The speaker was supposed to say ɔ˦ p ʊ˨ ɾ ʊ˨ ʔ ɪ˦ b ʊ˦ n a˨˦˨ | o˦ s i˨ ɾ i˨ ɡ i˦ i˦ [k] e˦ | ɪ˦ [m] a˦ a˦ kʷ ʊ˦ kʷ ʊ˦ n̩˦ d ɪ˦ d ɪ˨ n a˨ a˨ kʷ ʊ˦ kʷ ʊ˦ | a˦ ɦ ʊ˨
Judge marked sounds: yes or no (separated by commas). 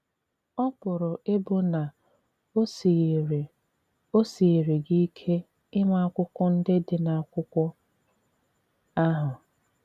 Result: no, yes